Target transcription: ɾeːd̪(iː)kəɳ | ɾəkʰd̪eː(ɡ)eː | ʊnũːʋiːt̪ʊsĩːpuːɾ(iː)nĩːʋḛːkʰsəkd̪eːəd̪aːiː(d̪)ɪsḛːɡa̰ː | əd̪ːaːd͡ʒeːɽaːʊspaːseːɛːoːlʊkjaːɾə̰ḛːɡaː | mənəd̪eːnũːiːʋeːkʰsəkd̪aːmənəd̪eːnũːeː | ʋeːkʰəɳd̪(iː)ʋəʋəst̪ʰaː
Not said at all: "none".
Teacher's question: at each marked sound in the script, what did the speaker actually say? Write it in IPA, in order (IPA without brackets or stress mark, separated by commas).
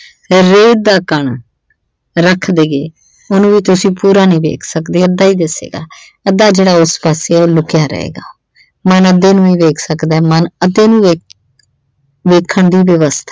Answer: aː, ɡ, aː, d̪, iː